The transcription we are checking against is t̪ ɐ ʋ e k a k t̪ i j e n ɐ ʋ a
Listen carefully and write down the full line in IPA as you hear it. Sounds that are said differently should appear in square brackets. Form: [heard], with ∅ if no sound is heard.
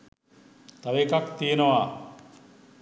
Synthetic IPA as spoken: t̪ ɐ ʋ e k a k t̪ i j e n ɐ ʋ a